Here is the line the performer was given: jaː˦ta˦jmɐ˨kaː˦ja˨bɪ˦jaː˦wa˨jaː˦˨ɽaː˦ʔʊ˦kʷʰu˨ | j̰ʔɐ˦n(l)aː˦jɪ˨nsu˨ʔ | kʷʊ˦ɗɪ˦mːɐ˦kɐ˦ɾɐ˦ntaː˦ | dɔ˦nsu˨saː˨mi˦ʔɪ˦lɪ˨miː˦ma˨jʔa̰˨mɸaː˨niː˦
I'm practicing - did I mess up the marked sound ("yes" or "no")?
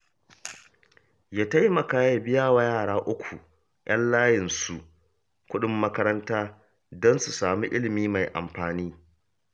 no